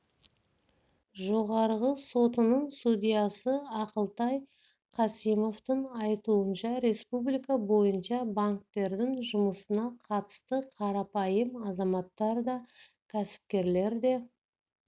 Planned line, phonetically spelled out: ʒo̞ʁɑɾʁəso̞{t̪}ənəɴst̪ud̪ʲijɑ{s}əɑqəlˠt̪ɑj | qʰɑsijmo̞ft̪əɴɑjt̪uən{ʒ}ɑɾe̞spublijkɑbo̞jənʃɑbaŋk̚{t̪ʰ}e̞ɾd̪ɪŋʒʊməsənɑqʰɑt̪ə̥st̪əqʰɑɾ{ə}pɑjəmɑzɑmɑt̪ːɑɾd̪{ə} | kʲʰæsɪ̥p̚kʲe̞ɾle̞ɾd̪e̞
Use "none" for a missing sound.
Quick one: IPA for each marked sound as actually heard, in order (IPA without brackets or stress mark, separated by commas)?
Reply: t̪, s, ʃ, t̪, ɑ, ɑ